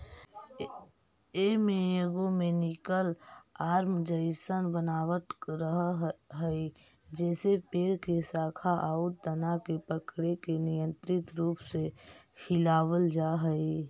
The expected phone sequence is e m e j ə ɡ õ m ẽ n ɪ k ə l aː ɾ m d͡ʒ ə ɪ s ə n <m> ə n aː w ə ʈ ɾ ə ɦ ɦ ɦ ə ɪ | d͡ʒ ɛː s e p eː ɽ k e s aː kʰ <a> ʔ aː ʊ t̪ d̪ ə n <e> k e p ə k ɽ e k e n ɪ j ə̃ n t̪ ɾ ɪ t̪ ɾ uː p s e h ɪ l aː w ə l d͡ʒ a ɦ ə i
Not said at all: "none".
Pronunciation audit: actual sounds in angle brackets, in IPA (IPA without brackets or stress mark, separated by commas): b, a, a